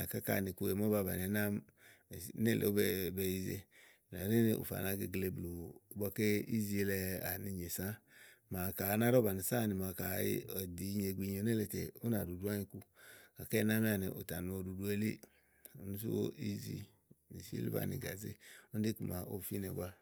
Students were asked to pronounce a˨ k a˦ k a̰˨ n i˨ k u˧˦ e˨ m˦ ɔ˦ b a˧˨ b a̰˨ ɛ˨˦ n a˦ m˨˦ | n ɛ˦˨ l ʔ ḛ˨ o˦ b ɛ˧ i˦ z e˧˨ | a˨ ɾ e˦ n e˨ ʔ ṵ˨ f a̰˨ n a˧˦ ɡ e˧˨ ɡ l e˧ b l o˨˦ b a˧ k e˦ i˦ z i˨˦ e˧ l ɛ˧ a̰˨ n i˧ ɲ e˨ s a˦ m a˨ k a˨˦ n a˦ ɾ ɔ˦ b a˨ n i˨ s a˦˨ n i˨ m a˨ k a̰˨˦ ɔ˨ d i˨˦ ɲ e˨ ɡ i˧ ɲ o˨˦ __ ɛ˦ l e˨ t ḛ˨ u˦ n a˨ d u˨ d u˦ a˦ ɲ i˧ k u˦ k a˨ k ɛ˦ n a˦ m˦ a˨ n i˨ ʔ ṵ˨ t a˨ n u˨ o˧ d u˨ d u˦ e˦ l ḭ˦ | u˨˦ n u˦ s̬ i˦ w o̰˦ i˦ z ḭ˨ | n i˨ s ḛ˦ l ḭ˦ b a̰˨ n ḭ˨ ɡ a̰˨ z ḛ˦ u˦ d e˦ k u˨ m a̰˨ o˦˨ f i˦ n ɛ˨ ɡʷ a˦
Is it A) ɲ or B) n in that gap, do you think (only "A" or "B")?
B